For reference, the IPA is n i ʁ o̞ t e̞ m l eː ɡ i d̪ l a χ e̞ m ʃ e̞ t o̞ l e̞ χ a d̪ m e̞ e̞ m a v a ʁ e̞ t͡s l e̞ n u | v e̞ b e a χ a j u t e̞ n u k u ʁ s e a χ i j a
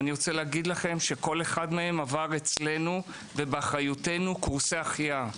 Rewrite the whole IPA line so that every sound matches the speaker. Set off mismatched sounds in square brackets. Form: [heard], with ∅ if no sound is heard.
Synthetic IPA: n i ʁ o̞ [t͡s] e̞ [∅] l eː ɡ i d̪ l a χ e̞ m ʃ e̞ [k] o̞ l e̞ χ a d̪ m e̞ e̞ m a v a ʁ e̞ t͡s l e̞ n u | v e̞ b e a χ a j u t e̞ n u k u ʁ s e a χ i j a

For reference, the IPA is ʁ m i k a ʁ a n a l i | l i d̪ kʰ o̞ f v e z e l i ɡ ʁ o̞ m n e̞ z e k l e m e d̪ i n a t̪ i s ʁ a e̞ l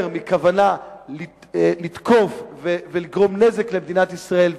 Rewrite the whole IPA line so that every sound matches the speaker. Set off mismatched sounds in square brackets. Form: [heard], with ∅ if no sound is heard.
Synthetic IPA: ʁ m i k a [v] a n a l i | l i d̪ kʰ o̞ f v e [v] e l i ɡ ʁ o̞ m n e̞ z e k l e m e d̪ i n a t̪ i s ʁ a e̞ l

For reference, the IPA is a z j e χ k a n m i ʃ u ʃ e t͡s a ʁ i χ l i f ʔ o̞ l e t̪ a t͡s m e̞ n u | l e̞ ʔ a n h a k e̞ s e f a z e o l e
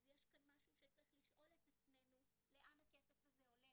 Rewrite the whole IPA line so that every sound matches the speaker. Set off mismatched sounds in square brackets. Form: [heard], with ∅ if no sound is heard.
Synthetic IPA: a z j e [ʃ] k a n m [a] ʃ u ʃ e t͡s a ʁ i χ l i [ʃ] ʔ o̞ l e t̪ a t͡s m e̞ n u | l e̞ ʔ a n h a k e̞ s e f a z e o l e

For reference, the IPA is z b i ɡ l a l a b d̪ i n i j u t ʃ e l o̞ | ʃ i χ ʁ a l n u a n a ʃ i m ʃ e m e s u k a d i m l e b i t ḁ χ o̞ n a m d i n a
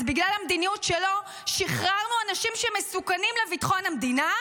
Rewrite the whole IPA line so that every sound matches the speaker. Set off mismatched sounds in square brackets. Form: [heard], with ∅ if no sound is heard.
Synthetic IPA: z b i ɡ l a l a [m] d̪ i n i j u t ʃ e l o̞ | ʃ i χ ʁ a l n u a n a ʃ i m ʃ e m e s u k a [n] i m l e [v] i t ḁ χ o̞ n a m d i n a

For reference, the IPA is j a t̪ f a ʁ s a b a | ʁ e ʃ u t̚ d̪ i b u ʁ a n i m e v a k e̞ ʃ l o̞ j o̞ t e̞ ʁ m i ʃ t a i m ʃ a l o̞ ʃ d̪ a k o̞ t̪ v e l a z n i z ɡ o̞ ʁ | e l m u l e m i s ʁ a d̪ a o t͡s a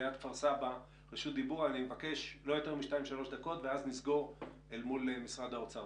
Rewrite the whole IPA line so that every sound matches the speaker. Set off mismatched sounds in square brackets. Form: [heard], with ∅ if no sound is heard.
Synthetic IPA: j a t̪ f a ʁ s a b a | ʁ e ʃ u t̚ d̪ i b u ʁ a n i m e v a k e̞ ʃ l o̞ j o̞ t e̞ ʁ m i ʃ t a i m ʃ a l o̞ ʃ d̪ a k o̞ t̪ v e [∅] a z n i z ɡ o̞ ʁ | e l m u l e m i s ʁ a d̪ a o t͡s a

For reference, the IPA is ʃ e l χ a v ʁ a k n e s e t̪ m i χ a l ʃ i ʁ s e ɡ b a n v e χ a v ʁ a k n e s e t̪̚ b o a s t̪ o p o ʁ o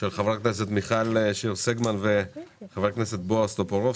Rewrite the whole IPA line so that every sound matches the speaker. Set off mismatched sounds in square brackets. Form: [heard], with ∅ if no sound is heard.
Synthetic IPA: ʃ e l χ a v ʁ a k n e s e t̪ m i χ a l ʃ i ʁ s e ɡ [m] a n v e χ a v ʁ a k n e s e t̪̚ b o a s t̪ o p o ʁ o

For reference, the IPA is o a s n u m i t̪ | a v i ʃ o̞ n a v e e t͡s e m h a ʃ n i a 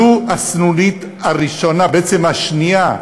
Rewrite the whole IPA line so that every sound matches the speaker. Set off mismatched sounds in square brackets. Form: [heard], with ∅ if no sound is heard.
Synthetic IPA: [u] a s n u [n] i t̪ | a [ʁ] i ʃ o̞ n a [b] e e t͡s e m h a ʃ n i a

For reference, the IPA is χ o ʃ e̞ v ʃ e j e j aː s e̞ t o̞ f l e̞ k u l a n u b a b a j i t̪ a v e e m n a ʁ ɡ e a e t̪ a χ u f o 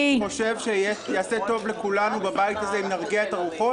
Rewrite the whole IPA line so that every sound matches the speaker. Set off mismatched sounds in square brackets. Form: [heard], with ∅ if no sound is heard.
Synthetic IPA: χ o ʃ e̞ v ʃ e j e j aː s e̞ t o̞ [v] l e̞ k u l a n u b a b a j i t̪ a [z] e [i] m n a ʁ ɡ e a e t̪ a [ʁ] u [χ] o

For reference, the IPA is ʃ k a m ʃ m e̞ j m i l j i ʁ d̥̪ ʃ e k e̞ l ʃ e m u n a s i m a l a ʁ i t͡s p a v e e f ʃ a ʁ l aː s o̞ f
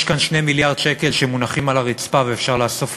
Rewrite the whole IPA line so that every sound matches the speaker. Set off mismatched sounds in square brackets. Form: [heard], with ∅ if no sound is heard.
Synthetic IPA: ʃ k a [n] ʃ [n] e̞ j m i l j [a] ʁ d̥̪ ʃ e k e̞ l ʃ e m u n a [χ] i m a l a ʁ i t͡s p a v e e f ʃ a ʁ l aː s o̞ f

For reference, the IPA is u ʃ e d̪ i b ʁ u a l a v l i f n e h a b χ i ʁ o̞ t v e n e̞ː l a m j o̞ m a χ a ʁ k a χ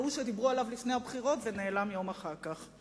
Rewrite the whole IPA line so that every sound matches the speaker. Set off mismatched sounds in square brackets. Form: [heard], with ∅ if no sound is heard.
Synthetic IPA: u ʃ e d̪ i b ʁ u a l a v l i f n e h a b χ i ʁ o̞ t v e n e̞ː l a m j o̞ m a χ a ʁ k a χ

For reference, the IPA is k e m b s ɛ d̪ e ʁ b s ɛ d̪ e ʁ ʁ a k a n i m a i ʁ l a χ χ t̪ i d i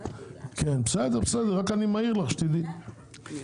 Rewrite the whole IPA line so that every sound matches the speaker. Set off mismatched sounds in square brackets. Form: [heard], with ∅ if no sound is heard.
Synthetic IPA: k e [n] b s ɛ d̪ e ʁ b s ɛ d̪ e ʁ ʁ a k a n i m a i ʁ l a χ [ʃ] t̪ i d i

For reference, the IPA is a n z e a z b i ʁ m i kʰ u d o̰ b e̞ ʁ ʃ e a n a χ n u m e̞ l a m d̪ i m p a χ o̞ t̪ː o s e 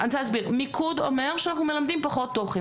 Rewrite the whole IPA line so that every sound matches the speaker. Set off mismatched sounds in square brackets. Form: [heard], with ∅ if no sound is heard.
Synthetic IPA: a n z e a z b i ʁ m i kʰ u d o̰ [m] e̞ ʁ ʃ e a n a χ n u m e̞ l a m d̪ i m p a χ o̞ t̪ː o [χ] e

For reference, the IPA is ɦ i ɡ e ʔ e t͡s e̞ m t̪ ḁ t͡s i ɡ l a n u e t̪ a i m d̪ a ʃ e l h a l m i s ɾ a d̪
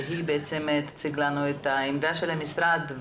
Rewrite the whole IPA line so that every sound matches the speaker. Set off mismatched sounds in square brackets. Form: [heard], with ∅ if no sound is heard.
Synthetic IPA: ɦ i [b] e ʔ e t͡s e̞ m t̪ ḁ t͡s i ɡ l a n u e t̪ a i m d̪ a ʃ e l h a [∅] m i s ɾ a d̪

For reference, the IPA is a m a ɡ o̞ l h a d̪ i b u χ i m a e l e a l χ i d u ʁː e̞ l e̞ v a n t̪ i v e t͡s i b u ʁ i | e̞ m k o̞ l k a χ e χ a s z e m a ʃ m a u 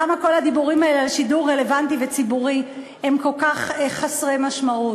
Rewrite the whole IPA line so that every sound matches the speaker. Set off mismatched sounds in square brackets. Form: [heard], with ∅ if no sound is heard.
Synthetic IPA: a m a [k] o̞ l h a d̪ i b u [ʁ] i m a e l e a l [ʃ] i d u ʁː e̞ l e̞ v a n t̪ i v e t͡s i b u ʁ i | e̞ m k o̞ l k a χ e χ a s [ʁ] e m a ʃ m a u

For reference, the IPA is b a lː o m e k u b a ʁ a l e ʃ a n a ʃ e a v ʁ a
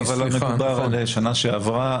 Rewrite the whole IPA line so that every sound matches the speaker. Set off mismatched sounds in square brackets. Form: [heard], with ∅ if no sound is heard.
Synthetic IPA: [v] a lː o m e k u b a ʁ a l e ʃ a n a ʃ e a v ʁ a

